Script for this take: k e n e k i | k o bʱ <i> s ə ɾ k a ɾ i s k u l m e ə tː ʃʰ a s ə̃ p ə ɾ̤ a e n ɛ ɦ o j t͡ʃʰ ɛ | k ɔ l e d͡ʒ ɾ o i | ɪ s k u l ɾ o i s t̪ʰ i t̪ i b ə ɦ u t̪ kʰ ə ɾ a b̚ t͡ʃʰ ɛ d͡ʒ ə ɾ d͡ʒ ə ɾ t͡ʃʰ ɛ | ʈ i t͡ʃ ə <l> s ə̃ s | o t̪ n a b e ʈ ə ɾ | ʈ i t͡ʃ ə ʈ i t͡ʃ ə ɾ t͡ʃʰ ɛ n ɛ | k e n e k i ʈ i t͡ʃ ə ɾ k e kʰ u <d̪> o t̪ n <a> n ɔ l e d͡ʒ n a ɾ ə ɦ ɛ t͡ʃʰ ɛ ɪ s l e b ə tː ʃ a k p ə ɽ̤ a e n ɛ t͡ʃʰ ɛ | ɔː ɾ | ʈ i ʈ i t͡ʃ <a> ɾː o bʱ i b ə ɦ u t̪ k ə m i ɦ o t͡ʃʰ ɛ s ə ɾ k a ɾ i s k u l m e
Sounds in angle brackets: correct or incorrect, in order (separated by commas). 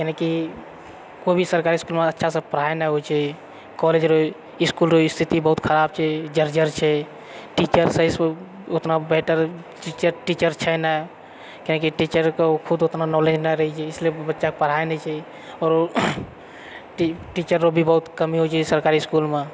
correct, incorrect, correct, correct, incorrect